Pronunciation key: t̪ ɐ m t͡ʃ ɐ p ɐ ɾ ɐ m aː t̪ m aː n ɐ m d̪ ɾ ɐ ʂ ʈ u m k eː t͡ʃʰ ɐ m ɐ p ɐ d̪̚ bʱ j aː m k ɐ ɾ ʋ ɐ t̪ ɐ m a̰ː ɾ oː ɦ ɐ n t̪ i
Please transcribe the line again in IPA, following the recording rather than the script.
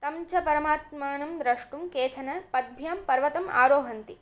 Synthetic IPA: t̪ ɐ m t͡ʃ ɐ p ɐ ɾ ɐ m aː t̪ m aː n ɐ m d̪ ɾ ɐ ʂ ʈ u m k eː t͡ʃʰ ɐ n ɐ p ɐ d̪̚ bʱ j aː m p ɐ ɾ ʋ ɐ t̪ ɐ m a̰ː ɾ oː ɦ ɐ n t̪ i